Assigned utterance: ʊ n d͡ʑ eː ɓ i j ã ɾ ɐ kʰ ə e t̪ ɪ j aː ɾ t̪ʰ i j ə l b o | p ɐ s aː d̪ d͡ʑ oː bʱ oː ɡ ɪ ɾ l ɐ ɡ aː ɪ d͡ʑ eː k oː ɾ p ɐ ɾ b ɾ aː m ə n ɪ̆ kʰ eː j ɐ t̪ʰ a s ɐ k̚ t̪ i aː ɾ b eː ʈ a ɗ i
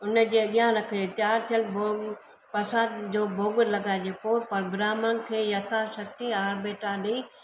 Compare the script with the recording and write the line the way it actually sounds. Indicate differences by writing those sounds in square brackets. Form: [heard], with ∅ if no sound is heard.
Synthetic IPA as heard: ʊ n d͡ʑ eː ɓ i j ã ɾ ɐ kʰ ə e t̪ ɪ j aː ɾ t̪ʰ i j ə l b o | p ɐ s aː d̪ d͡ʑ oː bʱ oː ɡ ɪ ɾ l ɐ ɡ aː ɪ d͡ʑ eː [p] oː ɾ p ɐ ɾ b ɾ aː m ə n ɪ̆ kʰ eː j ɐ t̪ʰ a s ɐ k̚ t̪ i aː ɾ b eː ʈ a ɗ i